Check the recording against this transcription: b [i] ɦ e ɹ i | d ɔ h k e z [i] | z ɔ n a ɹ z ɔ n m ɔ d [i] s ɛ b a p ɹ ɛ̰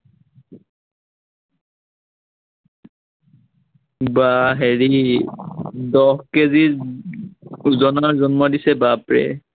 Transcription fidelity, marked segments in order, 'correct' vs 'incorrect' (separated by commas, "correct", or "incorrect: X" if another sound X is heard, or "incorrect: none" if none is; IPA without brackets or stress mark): incorrect: a, correct, correct